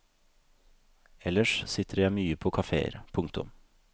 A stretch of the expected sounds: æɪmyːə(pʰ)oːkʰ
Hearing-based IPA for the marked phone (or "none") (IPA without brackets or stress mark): pʰ